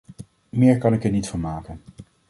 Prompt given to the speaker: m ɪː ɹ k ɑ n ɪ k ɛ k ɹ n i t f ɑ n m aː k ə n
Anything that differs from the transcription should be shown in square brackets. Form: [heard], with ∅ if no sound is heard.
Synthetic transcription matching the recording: m ɪː ɹ k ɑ n ɪ k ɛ [∅] ɹ n i t f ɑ n m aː k ə n